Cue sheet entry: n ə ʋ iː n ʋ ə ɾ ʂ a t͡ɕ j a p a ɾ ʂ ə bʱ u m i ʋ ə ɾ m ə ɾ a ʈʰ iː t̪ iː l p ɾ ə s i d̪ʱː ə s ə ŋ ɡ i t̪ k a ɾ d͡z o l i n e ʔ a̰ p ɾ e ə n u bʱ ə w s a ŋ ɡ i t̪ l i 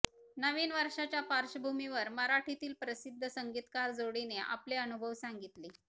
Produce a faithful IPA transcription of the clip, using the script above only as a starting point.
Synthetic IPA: n ə ʋ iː n ʋ ə ɾ ʂ a t͡ɕ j a p a ɾ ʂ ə bʱ u m i ʋ ə ɾ m ə ɾ a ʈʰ i t̪ iː l p ɾ ə s i d̪ʱː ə s ə ŋ ɡ i t̪ k a ɾ d͡z o ɽ i n e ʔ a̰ p l e ə n u bʱ ə ʋ s a ŋ ɡ i t̪ l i